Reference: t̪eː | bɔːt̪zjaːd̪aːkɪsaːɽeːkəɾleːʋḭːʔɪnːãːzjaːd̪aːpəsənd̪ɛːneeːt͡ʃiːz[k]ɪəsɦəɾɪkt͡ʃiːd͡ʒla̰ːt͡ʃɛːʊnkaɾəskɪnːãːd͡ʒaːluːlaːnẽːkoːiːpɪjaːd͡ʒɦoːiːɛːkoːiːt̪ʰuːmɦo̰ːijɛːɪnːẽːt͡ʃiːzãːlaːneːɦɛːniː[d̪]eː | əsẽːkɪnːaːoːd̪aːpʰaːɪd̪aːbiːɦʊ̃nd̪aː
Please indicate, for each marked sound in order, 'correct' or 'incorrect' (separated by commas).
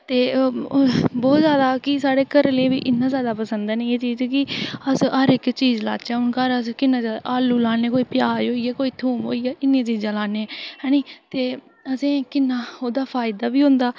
correct, incorrect